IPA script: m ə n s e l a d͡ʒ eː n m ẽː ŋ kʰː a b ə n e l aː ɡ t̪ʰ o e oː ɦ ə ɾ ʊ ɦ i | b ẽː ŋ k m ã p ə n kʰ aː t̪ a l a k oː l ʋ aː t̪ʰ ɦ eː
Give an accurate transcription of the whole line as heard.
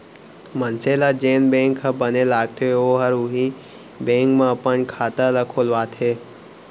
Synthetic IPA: m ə n s e l a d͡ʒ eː n b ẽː ŋ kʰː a b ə n e l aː ɡ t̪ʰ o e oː ɦ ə ɾ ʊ ɦ i | b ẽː ŋ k m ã p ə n kʰ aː t̪ a l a kʰ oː l ʋ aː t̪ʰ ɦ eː

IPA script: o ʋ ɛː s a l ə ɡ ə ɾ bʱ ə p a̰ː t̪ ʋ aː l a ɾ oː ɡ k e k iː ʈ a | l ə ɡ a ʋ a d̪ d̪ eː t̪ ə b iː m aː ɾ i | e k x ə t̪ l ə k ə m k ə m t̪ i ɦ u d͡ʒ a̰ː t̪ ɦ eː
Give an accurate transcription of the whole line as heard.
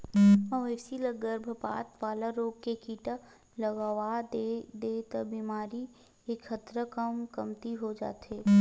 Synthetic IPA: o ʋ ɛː s i l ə ɡ ə ɾ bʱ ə p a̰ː t̪ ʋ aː l a ɾ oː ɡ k e k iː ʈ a | l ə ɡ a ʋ a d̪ d̪ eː t̪ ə b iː m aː ɾ i | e k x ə t̪ ɾ ə k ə m k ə m t̪ i ɦ o d͡ʒ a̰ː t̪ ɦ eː

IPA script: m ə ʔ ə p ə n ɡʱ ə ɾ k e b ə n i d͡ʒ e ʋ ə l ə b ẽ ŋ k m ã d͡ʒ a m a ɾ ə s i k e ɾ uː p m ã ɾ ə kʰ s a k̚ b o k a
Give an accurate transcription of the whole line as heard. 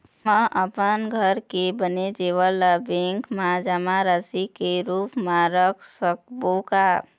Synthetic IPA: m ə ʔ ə p ə n ɡʱ ə ɾ k e b ə n e d͡ʒ e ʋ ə l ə b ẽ ŋ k m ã d͡ʒ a m a ɾ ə s i k e ɾ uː p m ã ɾ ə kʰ s ə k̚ b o k a

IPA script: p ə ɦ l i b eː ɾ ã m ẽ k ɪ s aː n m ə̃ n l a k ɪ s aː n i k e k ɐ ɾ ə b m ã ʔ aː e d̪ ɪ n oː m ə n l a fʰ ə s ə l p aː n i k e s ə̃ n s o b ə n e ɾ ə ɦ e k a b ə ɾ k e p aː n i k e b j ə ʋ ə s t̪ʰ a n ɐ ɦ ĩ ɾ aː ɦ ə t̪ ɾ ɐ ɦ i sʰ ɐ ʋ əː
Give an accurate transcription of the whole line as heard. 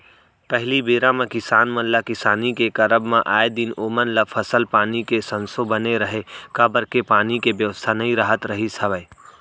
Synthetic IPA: p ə ɦ l i b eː ɾ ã m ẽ k ɪ s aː n m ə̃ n l a k ɪ s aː n i k e k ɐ ɾ ə b m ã ʔ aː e d̪ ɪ n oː m ə n l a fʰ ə s ə l p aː n i k e s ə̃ n s o b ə n e ɾ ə ɦ e k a b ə ɾ k e p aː n i k e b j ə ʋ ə s t̪ʰ a n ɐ ɦ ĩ ɾ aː ɦ ə t̪ ɾ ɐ ɦ i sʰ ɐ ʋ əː

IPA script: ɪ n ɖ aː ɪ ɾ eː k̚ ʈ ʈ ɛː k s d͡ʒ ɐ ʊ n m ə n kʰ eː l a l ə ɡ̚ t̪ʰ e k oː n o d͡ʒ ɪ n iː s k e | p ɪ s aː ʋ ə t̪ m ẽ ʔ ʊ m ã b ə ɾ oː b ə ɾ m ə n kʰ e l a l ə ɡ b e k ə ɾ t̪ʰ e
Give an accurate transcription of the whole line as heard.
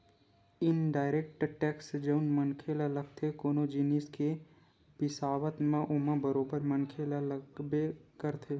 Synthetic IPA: ɪ n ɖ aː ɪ ɾ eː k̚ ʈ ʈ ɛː k s d͡ʒ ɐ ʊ n m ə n kʰ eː l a l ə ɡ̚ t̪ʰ e k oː n o d͡ʒ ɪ n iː s k e | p ɪ s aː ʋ ə t̪ m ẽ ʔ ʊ m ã b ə ɾ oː b ə ɾ m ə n kʰ e l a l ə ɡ b e k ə ɾ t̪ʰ e

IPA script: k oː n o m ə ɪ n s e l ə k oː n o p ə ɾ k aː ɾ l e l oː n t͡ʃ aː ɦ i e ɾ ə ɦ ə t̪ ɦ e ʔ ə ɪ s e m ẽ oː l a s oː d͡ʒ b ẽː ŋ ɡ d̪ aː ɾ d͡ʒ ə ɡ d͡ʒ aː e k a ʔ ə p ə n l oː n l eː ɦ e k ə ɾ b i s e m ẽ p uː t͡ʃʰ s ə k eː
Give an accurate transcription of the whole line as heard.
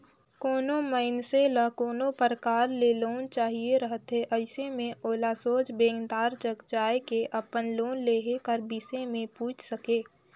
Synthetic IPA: k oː n o m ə ɪ n s e l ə k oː n o p ə ɾ k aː ɾ l e l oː n t͡ʃ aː ɦ i e ɾ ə ɦ ə t̪ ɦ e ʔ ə ɪ s e m ẽ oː l a s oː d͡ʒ b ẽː ŋ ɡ d̪ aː ɾ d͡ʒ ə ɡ d͡ʒ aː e k e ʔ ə p ə n l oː n l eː ɦ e k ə ɾ b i s e m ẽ p uː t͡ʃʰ s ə k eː

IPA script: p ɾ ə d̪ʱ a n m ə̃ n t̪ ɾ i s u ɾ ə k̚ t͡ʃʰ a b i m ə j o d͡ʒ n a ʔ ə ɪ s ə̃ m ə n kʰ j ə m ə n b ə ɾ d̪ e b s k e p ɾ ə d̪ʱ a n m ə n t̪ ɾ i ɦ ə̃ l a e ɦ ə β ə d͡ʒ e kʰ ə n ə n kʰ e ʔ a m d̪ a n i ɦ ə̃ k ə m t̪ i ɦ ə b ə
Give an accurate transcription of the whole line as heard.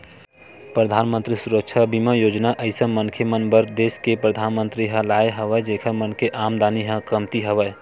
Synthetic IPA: p ɾ ə d̪ʱ a n m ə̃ n t̪ ɾ i s u ɾ ə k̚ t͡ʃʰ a b i m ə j o d͡ʒ n a ʔ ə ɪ s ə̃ m ə n kʰ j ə m ə n b ə ɾ d̪ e s k e p ɾ ə d̪ʱ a n m ə n t̪ ɾ i ɦ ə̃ l a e ɦ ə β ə d͡ʒ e kʰ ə m ə n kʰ e ʔ a m d̪ a n i ɦ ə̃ k ə m t̪ i ɦ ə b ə

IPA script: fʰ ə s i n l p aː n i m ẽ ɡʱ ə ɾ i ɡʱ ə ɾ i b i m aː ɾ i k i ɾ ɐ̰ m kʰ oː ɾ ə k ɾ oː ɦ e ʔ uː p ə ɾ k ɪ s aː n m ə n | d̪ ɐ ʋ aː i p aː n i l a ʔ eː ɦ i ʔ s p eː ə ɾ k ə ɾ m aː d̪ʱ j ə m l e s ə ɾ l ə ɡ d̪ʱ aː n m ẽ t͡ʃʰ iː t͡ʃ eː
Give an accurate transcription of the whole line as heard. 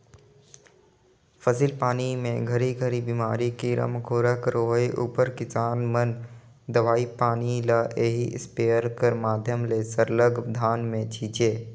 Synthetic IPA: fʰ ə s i l p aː n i m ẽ ɡʱ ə ɾ i ɡʱ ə ɾ i b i m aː ɾ i k i ɾ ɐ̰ m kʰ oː ɾ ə k ɾ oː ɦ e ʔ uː p ə ɾ k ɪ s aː n m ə n | d̪ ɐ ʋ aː i p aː n i l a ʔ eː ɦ i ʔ s p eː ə ɾ k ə ɾ m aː d̪ʱ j ə m l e s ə ɾ l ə ɡ d̪ʱ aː n m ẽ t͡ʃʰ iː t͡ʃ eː

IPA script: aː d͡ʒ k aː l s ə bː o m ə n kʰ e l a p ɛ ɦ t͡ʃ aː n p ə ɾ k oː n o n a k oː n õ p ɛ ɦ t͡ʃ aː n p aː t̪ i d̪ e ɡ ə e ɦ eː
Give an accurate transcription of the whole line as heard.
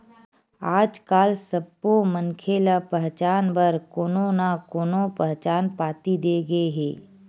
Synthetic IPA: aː d͡ʒ k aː l s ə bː o m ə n kʰ e l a p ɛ ɦ t͡ʃ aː n b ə ɾ k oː n o n a k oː n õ p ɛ ɦ t͡ʃ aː n p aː t̪ i d̪ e ɡ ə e ɦ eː

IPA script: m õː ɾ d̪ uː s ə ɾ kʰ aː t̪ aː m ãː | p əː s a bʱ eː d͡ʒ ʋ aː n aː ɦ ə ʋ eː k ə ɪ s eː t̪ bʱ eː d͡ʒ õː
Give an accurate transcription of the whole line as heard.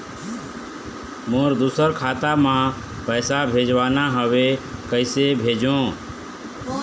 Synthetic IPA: m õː ɾ d̪ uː s ə ɾ kʰ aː t̪ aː m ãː | p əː s a bʱ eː d͡ʒ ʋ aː n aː ɦ ə ʋ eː k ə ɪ s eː bʱ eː d͡ʒ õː

